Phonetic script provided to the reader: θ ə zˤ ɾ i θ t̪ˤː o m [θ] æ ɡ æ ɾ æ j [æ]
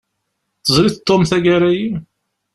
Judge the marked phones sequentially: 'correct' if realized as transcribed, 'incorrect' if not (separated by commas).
correct, incorrect